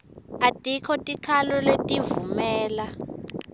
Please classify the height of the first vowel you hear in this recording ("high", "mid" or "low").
low